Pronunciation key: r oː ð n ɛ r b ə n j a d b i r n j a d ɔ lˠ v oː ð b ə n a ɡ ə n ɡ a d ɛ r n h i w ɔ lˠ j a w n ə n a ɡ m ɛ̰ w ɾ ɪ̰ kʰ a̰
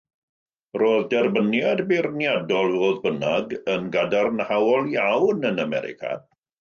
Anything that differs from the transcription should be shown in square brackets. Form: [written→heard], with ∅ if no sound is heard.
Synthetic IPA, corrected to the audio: r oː ð [n→d] ɛ r b ə n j a d b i r n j a d ɔ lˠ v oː ð b ə n a ɡ ə n ɡ a d [ɛ→a] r n h [i→a] w ɔ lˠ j a w n ə n a [ɡ→∅] m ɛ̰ [w→∅] ɾ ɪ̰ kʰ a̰